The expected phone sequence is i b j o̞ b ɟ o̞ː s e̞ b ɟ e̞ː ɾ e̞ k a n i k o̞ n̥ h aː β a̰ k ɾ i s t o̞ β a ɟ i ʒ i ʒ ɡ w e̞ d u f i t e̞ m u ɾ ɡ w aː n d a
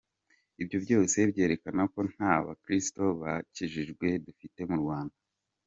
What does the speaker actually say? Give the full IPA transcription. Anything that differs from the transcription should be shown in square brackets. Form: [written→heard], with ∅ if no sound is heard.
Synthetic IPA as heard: i b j o̞ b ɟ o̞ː s e̞ b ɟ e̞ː ɾ e̞ k a n [i→a] k o̞ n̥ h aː β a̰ k ɾ i s t o̞ β a [ɟ→c] i ʒ i ʒ ɡ w e̞ d u f i t e̞ m u ɾ ɡ w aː n d a

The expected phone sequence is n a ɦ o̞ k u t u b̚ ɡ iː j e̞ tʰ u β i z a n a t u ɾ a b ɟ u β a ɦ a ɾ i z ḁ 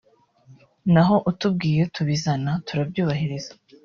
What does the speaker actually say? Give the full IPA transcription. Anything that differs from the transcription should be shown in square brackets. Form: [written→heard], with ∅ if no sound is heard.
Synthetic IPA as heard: n a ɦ o̞ [k→ʔ] u t u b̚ ɡ iː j e̞ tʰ u β i z a n a t u ɾ a b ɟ [u→uː] β a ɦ [a→i] ɾ i z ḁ

